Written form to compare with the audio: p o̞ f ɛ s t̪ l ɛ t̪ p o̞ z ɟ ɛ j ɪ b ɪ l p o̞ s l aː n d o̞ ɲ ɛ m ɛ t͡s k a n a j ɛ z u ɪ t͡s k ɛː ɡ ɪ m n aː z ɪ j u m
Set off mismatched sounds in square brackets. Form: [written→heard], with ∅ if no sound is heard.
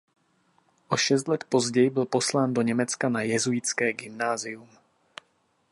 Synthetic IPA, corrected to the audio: [p→ʔ] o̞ [f→ʃ] ɛ s t̪ l ɛ t̪ p o̞ z ɟ ɛ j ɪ b ɪ l p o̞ s l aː n d o̞ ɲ ɛ m ɛ t͡s k a n a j ɛ z u ɪ t͡s k ɛː ɡ ɪ m n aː z ɪ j u m